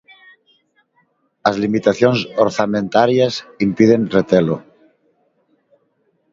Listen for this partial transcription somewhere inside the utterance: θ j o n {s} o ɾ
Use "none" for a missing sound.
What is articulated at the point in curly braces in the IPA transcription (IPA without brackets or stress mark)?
s